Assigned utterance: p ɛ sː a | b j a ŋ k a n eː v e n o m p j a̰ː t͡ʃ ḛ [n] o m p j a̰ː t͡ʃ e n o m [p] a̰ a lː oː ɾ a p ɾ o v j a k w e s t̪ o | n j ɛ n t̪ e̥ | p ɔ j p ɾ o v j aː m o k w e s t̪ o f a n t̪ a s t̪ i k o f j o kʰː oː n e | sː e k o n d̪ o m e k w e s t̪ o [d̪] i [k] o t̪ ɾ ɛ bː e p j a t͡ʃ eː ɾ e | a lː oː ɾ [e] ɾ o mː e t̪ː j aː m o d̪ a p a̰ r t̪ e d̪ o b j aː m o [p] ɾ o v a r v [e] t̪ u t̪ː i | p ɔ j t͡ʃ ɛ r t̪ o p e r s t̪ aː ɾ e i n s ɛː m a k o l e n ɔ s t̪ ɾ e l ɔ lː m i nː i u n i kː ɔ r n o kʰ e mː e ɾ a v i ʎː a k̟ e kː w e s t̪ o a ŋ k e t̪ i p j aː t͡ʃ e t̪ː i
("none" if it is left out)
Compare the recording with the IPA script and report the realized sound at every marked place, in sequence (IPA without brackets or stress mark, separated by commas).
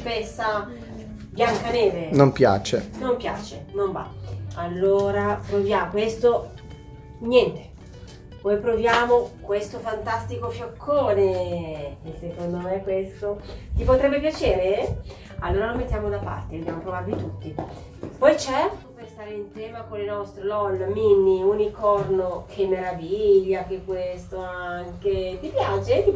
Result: n, b, t̪, p, a, p, i